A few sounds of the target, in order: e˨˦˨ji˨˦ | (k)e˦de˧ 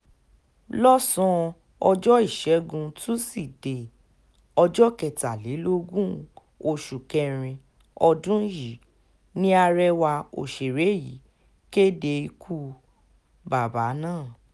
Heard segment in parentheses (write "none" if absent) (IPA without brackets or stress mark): k